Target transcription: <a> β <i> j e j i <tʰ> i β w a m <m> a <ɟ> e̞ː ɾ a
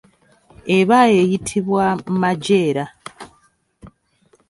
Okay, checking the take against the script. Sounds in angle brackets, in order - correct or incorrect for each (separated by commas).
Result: incorrect, incorrect, correct, correct, correct